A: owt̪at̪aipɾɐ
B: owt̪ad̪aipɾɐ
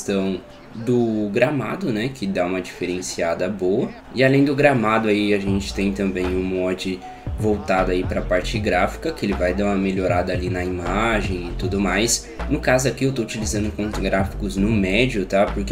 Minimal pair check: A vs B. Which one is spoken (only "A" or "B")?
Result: B